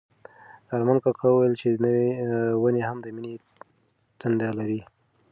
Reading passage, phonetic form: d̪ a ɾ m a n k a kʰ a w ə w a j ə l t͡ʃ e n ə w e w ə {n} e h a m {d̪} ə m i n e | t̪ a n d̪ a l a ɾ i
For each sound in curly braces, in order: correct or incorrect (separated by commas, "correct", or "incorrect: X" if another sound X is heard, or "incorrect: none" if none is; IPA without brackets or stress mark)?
correct, correct